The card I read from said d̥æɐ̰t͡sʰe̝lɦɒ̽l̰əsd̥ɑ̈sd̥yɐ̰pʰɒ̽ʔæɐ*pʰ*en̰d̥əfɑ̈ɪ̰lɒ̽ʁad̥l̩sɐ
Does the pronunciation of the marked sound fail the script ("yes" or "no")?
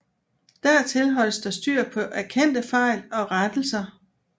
yes